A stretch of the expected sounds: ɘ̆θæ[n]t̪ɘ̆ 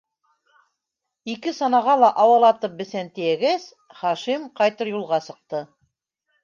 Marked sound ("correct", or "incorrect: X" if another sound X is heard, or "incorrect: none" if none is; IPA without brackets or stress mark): correct